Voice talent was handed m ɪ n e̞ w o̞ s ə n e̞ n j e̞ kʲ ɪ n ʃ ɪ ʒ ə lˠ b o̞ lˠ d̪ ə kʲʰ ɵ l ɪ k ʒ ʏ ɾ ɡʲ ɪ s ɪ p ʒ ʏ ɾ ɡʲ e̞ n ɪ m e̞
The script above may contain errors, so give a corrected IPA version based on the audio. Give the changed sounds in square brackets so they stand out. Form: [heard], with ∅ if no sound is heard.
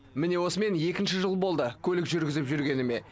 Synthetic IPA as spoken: m ɪ n e̞ w o̞ s ə [m] e̞ n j e̞ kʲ ɪ n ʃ ɪ ʒ ə lˠ b o̞ lˠ d̪ ə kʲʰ ɵ l ɪ k ʒ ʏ ɾ ɡʲ ɪ [z] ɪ p ʒ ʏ ɾ ɡʲ e̞ n ɪ m e̞